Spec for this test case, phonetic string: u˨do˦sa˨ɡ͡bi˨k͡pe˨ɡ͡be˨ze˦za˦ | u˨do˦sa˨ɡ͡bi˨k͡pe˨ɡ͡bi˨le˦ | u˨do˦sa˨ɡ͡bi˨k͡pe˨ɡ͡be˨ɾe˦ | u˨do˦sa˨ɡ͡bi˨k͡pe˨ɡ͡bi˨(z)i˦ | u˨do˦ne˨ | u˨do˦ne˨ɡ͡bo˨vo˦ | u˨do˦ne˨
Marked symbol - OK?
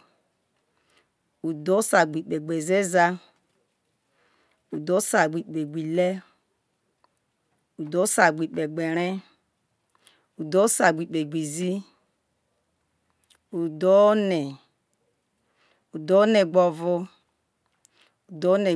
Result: yes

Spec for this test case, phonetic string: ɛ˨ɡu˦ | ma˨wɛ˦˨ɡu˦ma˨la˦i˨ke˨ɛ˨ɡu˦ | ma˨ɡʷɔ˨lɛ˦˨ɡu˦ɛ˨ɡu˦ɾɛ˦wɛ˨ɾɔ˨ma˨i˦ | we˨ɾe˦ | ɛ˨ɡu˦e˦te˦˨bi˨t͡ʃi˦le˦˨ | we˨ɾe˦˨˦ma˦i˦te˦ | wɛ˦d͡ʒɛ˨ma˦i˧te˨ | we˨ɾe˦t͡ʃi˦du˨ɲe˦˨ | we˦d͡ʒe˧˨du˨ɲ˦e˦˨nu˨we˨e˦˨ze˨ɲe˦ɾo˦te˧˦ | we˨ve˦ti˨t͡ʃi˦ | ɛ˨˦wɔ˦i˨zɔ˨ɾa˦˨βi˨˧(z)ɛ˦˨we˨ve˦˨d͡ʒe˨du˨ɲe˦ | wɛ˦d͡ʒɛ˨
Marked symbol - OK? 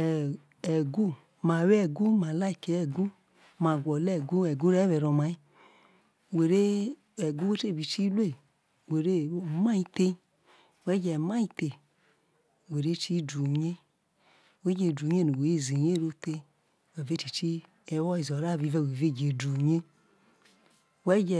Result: no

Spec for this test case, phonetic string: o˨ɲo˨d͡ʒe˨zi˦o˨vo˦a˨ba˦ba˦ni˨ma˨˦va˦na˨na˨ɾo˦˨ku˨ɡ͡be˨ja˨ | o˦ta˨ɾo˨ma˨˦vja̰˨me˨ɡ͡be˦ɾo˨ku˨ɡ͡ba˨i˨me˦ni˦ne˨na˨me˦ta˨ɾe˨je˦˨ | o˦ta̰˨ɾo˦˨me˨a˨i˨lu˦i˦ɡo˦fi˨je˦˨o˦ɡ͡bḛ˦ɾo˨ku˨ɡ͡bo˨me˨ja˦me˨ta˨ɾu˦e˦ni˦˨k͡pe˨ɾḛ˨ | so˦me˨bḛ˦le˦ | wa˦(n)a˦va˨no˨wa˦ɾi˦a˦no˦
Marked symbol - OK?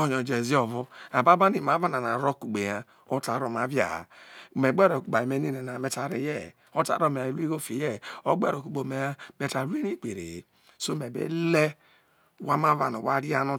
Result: no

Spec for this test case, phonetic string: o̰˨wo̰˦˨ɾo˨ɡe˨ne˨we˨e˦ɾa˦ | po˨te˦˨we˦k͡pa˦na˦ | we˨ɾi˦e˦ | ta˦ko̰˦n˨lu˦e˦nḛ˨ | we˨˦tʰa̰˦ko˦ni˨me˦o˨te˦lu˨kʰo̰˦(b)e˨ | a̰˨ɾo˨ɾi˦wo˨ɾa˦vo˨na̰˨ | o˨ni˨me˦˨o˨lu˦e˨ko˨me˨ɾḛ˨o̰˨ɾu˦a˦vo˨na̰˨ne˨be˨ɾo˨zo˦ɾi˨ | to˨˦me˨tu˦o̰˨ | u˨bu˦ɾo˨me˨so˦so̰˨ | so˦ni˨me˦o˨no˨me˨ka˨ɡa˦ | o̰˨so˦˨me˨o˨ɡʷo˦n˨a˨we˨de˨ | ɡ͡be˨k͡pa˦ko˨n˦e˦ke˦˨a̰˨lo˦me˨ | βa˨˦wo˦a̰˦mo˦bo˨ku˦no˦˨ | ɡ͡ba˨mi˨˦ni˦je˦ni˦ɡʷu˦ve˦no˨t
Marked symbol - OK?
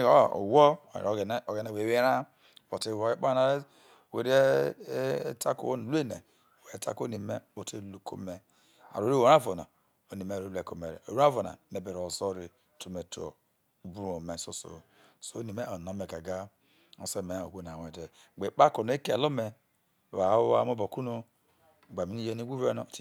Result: no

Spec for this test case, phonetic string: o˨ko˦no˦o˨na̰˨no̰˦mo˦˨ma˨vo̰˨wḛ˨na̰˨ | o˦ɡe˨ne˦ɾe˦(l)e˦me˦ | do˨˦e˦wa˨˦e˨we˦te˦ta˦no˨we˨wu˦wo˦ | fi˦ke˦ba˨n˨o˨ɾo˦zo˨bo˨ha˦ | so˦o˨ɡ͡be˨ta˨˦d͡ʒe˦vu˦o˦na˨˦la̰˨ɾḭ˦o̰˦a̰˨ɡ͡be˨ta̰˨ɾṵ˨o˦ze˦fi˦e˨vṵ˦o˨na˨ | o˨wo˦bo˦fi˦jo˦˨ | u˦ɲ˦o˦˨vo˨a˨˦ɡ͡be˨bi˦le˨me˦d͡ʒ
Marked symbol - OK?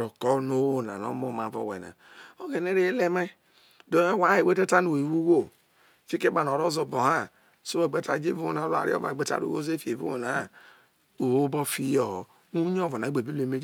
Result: yes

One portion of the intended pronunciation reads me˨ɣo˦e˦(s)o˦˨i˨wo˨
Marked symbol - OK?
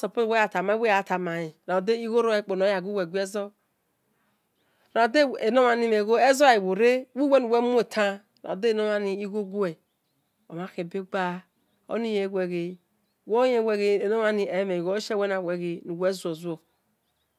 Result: no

